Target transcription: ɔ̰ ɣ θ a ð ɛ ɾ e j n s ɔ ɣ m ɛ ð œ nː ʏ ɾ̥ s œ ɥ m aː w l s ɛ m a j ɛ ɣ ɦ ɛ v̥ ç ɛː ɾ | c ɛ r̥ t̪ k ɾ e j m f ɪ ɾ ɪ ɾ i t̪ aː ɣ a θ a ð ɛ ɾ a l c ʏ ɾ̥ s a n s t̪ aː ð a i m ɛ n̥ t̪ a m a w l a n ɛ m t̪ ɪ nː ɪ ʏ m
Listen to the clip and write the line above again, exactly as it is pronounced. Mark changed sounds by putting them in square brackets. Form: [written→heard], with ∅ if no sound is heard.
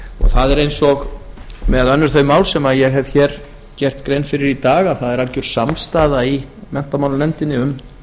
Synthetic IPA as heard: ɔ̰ ɣ θ a ð ɛ ɾ e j n s ɔ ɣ m ɛ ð œ nː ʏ ɾ̥ [s→θ] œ ɥ m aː w l s ɛ m a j ɛ ɣ ɦ ɛ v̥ ç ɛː ɾ | c ɛ r̥ t̪ k ɾ e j [m→n] f ɪ ɾ ɪ ɾ i t̪ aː ɣ a θ a ð ɛ ɾ a l c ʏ ɾ̥ s a [n→m] s t̪ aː ð a i m ɛ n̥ t̪ a m a w l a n ɛ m t̪ ɪ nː ɪ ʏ m